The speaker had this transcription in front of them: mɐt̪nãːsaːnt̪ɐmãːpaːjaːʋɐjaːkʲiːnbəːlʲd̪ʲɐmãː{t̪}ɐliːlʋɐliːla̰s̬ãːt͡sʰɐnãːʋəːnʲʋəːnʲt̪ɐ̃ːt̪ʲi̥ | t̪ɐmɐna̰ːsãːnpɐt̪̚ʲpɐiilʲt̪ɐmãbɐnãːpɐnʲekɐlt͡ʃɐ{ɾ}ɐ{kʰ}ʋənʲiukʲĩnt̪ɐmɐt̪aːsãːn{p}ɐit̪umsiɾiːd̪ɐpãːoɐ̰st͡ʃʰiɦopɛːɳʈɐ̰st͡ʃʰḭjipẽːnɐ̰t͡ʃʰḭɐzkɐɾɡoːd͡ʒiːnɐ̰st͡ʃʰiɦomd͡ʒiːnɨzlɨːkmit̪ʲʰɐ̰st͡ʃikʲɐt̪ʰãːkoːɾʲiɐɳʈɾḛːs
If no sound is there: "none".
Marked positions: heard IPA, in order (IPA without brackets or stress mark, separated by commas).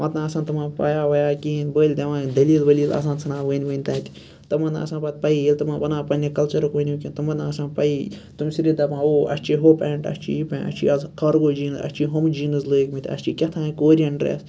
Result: d̪, ɾ, k, p